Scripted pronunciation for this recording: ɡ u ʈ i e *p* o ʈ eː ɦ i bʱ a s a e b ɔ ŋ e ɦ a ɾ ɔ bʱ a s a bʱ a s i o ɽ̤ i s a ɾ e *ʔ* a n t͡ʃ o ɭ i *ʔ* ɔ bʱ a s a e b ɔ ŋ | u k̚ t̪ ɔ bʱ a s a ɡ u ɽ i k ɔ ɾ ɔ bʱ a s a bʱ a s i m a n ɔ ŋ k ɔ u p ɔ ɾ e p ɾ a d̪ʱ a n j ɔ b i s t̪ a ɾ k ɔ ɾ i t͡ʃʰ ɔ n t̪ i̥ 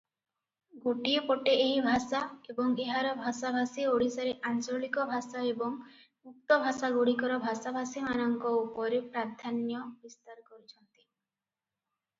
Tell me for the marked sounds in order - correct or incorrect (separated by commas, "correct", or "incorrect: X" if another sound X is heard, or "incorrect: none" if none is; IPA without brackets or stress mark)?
correct, correct, incorrect: k